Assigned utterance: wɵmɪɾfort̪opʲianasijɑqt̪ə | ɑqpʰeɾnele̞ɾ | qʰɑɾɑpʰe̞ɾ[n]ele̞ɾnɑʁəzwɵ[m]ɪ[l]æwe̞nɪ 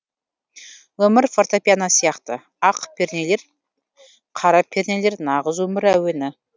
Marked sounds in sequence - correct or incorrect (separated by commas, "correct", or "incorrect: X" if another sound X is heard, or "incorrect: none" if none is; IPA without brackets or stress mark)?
correct, correct, incorrect: ɾ